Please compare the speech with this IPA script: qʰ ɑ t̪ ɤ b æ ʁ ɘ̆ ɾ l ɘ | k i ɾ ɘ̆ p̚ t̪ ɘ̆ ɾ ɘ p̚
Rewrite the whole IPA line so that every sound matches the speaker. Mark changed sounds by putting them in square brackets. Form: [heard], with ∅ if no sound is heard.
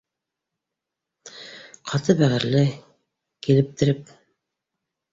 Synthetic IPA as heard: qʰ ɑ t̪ ɤ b æ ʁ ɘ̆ ɾ l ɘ | k i [l] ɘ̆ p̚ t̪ ɘ̆ ɾ ɘ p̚